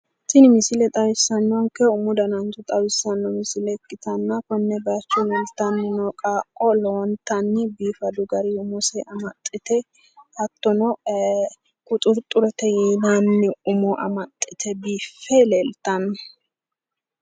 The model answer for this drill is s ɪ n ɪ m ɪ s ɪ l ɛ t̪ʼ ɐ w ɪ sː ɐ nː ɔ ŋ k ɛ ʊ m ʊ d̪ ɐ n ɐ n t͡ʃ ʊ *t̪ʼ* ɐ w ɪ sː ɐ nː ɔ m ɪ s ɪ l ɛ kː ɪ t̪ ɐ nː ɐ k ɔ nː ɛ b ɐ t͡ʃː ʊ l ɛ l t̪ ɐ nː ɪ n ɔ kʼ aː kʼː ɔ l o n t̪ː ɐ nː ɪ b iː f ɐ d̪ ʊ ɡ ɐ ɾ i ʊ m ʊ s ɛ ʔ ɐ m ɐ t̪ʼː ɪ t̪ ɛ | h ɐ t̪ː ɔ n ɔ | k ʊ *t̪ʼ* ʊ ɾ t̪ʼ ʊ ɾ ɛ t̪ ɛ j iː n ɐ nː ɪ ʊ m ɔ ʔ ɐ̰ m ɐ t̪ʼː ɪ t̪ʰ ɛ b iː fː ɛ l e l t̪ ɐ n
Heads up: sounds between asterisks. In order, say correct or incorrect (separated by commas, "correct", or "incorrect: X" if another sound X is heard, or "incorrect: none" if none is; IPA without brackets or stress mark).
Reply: correct, correct